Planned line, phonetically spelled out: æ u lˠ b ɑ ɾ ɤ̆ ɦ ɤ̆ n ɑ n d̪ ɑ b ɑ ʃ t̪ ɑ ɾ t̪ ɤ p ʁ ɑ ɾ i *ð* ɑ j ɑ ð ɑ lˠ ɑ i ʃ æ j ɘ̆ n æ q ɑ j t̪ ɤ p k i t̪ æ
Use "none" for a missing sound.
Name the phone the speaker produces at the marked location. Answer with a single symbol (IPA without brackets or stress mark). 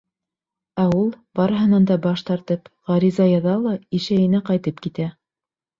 z